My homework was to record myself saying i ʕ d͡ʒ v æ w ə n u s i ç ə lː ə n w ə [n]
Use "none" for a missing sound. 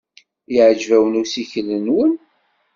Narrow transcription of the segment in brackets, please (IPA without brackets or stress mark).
n